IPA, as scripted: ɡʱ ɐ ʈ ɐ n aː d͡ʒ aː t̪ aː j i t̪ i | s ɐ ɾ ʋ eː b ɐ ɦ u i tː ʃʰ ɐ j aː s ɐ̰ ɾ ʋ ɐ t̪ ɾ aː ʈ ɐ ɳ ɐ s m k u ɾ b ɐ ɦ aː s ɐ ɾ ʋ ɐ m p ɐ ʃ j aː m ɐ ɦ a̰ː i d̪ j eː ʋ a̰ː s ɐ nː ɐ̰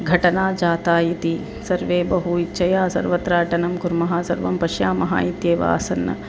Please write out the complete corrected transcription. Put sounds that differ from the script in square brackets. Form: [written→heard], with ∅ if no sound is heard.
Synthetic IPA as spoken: ɡʱ ɐ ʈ ɐ n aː d͡ʒ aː t̪ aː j i t̪ i | s ɐ ɾ ʋ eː b ɐ ɦ u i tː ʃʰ ɐ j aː s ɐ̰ ɾ ʋ ɐ t̪ ɾ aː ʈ ɐ [ɳ→n] ɐ [s→∅] m k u ɾ [b→m] ɐ ɦ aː s ɐ ɾ ʋ ɐ m p ɐ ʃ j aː m ɐ ɦ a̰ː i [d̪→t̪] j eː ʋ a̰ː s ɐ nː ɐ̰